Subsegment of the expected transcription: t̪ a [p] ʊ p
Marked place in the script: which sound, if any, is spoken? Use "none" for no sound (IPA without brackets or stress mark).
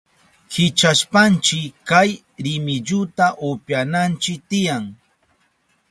ʔ